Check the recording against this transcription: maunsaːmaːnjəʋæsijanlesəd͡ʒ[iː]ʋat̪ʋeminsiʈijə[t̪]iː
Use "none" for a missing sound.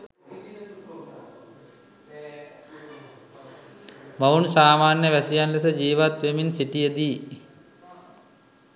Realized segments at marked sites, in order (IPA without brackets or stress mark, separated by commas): iː, d̪